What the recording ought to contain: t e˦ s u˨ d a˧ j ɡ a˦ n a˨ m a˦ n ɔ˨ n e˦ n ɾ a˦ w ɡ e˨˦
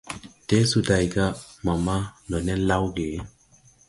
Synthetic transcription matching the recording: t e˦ s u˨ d a˧ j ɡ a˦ m a˨ m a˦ n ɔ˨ n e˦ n l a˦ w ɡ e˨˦

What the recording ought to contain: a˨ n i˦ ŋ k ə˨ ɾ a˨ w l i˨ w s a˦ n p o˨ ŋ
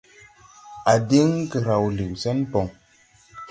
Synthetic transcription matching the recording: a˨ d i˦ ŋ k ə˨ ɾ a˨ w l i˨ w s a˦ n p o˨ ŋ

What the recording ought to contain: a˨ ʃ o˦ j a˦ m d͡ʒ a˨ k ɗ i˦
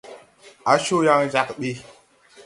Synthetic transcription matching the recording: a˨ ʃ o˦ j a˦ ŋ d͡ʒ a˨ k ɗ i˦

